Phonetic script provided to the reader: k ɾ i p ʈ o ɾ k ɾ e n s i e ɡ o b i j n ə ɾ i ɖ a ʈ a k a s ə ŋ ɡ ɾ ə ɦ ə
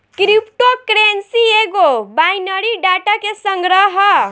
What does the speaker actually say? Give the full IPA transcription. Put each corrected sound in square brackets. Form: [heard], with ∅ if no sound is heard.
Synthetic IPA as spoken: k ɾ i p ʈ o [∅] k ɾ e n s i e ɡ o b [a] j n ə ɾ i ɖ a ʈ a k [e] s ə ŋ ɡ ɾ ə ɦ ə